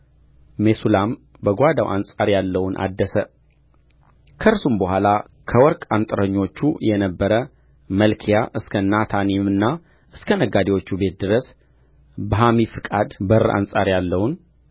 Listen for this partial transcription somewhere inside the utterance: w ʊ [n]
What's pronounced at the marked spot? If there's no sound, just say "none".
n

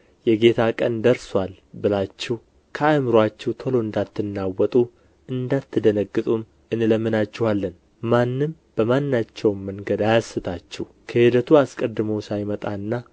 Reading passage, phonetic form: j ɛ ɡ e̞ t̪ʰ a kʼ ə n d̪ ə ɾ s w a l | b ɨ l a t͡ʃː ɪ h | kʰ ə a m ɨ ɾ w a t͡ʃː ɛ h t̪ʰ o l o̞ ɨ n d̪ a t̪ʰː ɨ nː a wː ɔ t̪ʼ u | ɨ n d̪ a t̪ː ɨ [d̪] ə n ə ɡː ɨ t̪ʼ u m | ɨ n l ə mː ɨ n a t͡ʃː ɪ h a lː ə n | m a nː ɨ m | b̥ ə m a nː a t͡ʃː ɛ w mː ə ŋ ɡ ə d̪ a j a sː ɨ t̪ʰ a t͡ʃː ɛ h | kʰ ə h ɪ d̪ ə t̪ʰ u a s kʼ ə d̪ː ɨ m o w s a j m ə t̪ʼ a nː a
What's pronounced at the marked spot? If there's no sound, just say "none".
d̪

